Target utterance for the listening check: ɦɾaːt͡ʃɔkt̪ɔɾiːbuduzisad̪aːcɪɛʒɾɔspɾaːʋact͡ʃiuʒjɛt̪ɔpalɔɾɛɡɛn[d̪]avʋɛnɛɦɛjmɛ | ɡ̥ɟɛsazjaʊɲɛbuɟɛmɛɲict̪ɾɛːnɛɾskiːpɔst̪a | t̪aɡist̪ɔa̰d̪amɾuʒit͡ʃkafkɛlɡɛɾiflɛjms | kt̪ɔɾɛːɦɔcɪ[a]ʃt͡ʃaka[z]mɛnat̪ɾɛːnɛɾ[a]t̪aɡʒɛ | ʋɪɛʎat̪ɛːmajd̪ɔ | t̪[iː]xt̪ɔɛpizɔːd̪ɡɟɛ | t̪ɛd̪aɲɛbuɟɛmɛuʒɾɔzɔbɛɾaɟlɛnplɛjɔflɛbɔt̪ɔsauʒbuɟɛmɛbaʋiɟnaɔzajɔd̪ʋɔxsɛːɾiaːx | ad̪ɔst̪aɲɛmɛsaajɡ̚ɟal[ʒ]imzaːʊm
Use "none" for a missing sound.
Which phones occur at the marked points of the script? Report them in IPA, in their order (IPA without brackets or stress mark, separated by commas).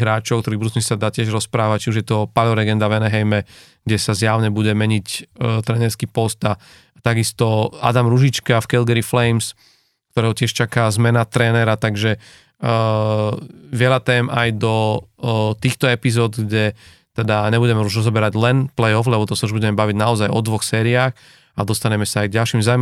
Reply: d̪, ɛ, z, a, iː, ʃ